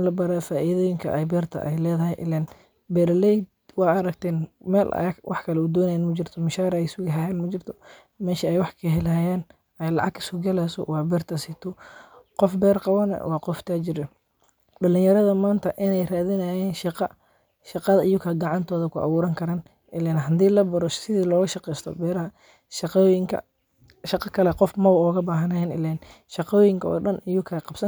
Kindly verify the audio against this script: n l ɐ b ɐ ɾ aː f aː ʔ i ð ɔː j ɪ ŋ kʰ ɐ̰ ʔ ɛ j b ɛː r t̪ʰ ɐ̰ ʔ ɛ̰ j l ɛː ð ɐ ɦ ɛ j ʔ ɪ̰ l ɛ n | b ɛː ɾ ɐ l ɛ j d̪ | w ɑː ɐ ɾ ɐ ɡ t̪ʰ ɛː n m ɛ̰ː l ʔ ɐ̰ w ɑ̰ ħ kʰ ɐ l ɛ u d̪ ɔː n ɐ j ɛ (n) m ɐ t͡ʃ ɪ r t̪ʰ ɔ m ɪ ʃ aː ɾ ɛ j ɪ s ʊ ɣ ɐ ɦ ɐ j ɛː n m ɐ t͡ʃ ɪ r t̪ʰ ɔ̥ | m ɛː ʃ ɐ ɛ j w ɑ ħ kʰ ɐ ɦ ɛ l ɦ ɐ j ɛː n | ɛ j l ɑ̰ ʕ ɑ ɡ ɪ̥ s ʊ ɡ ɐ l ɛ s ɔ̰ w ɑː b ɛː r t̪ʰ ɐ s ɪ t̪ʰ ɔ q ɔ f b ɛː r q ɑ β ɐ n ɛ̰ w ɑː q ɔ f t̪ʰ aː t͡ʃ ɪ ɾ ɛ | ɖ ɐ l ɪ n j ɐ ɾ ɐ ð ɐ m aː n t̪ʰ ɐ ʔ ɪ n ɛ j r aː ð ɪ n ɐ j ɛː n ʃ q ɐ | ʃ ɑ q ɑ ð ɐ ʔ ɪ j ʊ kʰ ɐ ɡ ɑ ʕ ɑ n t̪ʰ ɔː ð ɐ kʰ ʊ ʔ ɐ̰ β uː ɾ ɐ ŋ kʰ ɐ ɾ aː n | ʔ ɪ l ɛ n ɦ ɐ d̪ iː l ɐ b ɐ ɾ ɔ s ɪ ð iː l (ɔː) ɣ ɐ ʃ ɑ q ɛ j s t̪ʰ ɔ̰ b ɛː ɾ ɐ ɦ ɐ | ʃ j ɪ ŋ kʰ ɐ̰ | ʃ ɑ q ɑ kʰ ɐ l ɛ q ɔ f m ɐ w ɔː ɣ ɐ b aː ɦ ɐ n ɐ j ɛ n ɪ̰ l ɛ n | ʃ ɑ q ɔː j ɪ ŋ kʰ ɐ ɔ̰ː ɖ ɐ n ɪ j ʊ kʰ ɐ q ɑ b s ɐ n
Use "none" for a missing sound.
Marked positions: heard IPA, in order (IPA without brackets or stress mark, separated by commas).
n, ɔː